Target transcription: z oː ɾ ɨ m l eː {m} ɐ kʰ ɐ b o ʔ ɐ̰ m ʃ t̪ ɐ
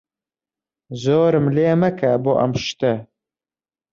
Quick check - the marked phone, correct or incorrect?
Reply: correct